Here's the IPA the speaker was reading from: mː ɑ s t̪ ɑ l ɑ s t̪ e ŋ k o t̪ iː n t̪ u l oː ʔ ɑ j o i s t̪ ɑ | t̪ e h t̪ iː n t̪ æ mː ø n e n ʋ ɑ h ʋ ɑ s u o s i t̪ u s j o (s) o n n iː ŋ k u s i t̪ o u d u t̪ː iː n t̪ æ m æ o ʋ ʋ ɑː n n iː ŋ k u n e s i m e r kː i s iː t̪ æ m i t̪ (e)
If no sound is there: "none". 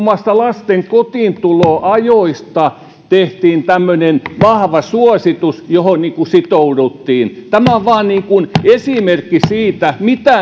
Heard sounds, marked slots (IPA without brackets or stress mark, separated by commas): h, æ